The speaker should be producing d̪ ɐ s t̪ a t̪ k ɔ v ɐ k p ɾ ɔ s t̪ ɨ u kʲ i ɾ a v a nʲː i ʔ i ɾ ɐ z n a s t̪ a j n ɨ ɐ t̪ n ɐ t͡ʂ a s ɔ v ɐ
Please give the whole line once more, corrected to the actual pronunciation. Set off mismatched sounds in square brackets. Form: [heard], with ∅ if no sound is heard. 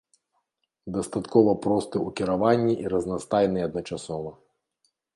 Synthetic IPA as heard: d̪ ɐ s t̪ a t̪ k ɔ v ɐ [∅] p ɾ ɔ s t̪ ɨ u kʲ i ɾ a v a nʲː i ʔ i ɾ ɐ z n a s t̪ a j n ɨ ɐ [d̪] n ɐ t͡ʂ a s ɔ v ɐ

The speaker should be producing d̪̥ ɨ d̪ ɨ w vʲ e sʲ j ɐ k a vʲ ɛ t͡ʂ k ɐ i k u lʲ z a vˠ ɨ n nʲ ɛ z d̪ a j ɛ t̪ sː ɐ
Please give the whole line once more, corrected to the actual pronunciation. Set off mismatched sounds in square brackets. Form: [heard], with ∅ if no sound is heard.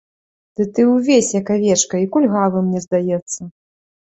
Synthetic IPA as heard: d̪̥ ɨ [t̪] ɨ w vʲ e sʲ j ɐ k a vʲ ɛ t͡ʂ k ɐ i k u lʲ [ɣ] a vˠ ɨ [m] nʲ ɛ z d̪ a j ɛ t̪ sː ɐ

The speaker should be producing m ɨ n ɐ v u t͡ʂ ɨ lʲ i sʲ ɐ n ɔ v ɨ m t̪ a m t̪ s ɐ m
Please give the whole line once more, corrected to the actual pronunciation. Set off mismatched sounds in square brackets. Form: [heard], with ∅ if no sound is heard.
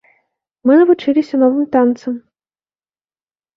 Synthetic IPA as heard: m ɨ n ɐ v u t͡ʂ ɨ lʲ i sʲ ɐ n ɔ v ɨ m t̪ a [n] t̪ s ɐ m

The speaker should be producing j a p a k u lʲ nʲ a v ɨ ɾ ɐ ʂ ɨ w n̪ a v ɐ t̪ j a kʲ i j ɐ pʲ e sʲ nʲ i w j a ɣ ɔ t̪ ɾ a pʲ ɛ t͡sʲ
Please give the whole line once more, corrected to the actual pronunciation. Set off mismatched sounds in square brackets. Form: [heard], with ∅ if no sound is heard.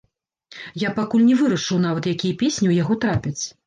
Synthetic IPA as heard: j a p a k u lʲ nʲ [ɛ] v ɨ ɾ ɐ ʂ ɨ w n̪ a v ɐ t̪ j a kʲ i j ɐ pʲ e sʲ nʲ i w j a ɣ ɔ t̪ ɾ a pʲ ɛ t͡sʲ

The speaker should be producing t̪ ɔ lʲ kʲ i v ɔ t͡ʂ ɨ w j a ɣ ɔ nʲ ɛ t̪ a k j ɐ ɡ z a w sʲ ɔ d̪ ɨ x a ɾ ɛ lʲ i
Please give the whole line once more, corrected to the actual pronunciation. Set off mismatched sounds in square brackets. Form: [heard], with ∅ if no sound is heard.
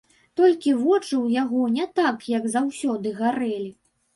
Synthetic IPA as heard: t̪ ɔ lʲ kʲ i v ɔ t͡ʂ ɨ w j a ɣ ɔ nʲ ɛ t̪ a k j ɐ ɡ z a w sʲ ɔ d̪ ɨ [ɣ] a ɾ ɛ lʲ i

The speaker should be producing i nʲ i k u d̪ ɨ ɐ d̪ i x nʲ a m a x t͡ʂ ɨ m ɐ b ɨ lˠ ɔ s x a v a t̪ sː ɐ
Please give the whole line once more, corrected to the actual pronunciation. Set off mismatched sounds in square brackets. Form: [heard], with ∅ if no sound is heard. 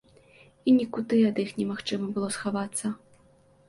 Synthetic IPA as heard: i nʲ i k u d̪ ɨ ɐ d̪ i x nʲ [ɛ] m a x t͡ʂ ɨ m ɐ b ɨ lˠ ɔ s x a v a t̪ sː ɐ

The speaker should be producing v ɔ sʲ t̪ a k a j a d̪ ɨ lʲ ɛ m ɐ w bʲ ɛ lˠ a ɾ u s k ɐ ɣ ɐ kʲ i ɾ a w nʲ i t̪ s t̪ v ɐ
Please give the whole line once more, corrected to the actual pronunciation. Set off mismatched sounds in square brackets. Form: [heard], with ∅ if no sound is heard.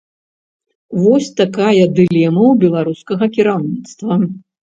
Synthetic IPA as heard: v ɔ sʲ t̪ a k a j [ɐ] d̪ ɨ lʲ ɛ m ɐ w bʲ ɛ lˠ a ɾ u s k ɐ ɣ ɐ kʲ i ɾ a w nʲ i t̪ s t̪ v ɐ

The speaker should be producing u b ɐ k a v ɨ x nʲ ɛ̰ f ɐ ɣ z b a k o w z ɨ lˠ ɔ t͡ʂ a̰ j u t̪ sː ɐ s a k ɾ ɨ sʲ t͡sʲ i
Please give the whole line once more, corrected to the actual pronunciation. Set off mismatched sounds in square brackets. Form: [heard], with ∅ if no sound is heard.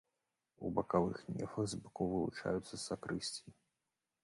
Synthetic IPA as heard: u b ɐ k a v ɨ x nʲ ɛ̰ f ɐ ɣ z b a k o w [v] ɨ lˠ [u] t͡ʂ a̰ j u t̪ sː ɐ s a k ɾ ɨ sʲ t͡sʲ i

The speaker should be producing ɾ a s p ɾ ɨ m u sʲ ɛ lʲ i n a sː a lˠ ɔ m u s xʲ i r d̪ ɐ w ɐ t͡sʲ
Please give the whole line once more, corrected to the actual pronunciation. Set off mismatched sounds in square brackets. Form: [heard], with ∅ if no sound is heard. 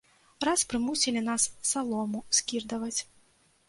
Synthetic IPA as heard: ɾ a s p ɾ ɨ m u sʲ [i] lʲ i n a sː a lˠ ɔ m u s [kʲ] i r d̪ ɐ [v] ɐ t͡sʲ

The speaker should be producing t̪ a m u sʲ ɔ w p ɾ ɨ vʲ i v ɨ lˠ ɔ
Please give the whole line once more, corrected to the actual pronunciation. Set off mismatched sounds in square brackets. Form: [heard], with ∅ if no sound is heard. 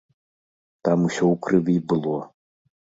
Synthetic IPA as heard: t̪ a m u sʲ ɔ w [k] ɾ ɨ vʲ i [b] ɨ lˠ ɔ

